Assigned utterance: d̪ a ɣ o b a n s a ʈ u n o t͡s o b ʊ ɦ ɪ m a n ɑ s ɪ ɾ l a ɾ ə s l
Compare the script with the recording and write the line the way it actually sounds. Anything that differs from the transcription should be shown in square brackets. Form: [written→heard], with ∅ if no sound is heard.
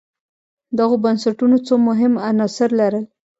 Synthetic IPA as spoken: d̪ a ɣ o b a n s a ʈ u n o t͡s o [b→m] ʊ ɦ ɪ m a n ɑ s ɪ ɾ l a ɾ ə [s→∅] l